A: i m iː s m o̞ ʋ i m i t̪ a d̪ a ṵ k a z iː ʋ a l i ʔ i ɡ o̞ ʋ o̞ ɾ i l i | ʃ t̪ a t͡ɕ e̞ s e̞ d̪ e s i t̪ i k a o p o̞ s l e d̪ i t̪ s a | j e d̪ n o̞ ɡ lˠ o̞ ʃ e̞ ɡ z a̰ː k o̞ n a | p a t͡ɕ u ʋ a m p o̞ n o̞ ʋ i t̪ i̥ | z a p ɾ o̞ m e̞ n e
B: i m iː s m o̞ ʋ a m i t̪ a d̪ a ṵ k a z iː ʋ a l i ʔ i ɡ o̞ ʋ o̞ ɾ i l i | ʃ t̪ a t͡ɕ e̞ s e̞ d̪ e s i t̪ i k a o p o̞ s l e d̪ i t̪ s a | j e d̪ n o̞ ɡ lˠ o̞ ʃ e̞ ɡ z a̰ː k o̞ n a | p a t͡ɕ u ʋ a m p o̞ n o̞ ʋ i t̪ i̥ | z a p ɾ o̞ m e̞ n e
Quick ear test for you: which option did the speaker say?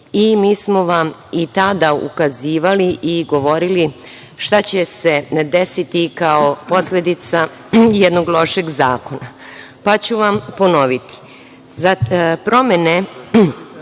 B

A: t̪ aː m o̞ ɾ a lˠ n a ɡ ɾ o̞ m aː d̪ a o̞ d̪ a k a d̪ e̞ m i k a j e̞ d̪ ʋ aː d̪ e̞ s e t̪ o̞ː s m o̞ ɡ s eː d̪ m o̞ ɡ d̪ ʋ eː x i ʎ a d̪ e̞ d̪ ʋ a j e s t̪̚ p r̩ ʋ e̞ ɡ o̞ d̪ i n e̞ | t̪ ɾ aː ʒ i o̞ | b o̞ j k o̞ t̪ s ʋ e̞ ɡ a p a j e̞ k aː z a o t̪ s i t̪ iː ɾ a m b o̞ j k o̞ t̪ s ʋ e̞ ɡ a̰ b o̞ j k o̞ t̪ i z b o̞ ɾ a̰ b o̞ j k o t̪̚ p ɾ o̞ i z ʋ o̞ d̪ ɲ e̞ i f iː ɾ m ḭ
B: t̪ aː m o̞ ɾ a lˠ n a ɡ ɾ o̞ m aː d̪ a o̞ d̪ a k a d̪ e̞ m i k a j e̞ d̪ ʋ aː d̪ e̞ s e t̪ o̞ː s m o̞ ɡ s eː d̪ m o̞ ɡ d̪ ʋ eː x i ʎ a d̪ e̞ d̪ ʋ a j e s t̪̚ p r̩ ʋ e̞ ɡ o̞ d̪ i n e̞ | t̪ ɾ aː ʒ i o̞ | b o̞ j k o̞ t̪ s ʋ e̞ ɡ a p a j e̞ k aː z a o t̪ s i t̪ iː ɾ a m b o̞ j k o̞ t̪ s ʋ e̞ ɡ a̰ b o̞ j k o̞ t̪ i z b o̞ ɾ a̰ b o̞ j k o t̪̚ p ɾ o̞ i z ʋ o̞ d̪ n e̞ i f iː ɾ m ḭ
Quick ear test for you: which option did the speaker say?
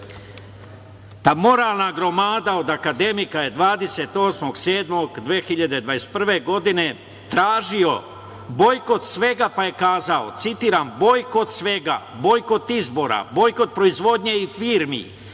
A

